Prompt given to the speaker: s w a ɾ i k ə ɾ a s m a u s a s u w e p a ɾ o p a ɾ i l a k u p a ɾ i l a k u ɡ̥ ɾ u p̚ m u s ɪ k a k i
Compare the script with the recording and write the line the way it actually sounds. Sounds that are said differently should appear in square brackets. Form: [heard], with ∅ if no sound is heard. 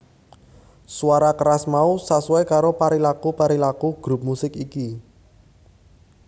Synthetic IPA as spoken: s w a ɾ [a] k ə ɾ a s m a u s a s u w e [k] a ɾ o p a ɾ i l a k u p a ɾ i l a k u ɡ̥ ɾ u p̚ m u s ɪ k [i] k i